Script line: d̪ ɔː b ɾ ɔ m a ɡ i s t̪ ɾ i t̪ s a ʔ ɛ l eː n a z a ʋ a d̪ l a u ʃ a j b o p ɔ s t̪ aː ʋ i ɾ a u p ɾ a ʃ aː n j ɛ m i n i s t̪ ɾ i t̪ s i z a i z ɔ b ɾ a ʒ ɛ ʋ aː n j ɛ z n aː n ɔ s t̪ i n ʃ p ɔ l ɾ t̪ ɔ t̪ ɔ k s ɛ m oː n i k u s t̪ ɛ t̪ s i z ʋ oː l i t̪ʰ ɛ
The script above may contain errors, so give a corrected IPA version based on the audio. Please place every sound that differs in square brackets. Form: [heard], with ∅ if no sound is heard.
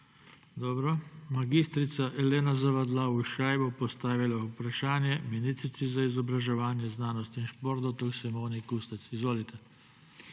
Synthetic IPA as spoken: d̪ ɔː b ɾ ɔ m a ɡ i s t̪ ɾ i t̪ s a ʔ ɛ l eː n a z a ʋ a d̪ l a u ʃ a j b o p ɔ s t̪ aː ʋ i [l] a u p ɾ a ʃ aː n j ɛ m i n i s t̪ ɾ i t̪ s i z a i z ɔ b ɾ a ʒ ɛ ʋ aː n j ɛ z n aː n ɔ s t̪ i n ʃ p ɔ [∅] ɾ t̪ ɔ t̪ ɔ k s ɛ m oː n i k u s t̪ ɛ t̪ s i z ʋ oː l i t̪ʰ ɛ